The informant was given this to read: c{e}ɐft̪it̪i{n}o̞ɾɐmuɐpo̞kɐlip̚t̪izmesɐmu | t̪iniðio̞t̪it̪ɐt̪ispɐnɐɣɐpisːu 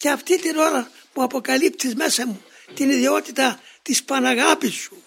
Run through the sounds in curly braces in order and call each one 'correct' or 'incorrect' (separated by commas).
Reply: correct, correct